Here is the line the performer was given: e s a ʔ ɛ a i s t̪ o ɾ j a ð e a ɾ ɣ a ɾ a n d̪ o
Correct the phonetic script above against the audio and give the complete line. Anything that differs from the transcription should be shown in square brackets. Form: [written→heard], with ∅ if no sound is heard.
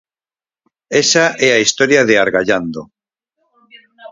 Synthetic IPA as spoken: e s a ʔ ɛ a i s t̪ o ɾ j a ð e a ɾ ɣ a [ɾ→ʎ] a n d̪ o